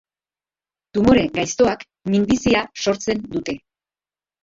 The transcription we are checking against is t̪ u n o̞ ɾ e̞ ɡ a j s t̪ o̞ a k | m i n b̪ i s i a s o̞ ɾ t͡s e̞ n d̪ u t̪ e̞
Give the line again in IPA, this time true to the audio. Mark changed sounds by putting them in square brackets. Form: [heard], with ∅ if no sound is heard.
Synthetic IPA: t̪ u [m] o̞ ɾ e̞ ɡ a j s t̪ o̞ a k | m i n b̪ i s i a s o̞ ɾ t͡s e̞ n d̪ u t̪ e̞